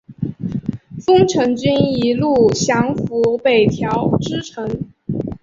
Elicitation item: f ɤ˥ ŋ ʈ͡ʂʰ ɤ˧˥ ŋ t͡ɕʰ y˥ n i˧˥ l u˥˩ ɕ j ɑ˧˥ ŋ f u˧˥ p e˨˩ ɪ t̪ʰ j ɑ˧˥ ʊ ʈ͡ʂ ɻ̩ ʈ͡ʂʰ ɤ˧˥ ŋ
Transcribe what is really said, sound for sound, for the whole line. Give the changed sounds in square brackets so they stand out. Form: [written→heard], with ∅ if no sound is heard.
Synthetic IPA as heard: f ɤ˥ ŋ ʈ͡ʂʰ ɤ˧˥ ŋ [t͡ɕʰ→t͡ɕ] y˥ n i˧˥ l u˥˩ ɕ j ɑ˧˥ ŋ f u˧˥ p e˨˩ ɪ t̪ʰ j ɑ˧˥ ʊ ʈ͡ʂ ɻ̩ ʈ͡ʂʰ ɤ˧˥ ŋ